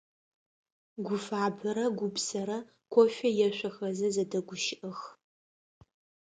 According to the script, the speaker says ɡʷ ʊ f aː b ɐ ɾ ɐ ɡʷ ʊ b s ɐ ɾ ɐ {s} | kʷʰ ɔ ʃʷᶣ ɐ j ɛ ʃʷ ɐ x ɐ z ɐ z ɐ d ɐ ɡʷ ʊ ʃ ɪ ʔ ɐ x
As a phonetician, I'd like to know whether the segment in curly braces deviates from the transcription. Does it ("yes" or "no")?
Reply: yes